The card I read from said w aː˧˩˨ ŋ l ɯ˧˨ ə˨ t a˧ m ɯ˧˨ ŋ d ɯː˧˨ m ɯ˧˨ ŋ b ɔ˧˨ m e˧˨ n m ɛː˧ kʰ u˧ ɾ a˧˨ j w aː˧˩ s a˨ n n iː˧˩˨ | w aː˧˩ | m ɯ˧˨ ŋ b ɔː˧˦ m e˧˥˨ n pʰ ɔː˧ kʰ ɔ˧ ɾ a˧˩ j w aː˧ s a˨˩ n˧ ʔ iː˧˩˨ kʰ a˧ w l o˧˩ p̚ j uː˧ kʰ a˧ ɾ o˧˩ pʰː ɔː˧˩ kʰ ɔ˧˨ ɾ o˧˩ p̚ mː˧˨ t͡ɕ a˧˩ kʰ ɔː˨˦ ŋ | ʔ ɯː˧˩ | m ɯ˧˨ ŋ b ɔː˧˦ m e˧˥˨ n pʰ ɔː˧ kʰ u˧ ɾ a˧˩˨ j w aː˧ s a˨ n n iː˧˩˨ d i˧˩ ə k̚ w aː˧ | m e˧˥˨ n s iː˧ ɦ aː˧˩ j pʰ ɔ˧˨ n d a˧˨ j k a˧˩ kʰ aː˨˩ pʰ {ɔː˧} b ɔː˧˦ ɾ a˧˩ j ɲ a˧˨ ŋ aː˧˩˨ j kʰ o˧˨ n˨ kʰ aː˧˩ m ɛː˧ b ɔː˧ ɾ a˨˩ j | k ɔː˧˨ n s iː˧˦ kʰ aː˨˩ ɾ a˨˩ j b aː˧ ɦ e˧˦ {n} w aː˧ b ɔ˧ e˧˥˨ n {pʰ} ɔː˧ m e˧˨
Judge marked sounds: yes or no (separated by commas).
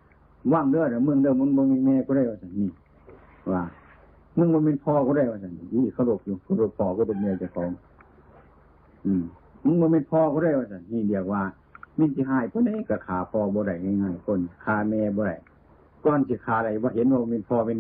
yes, yes, yes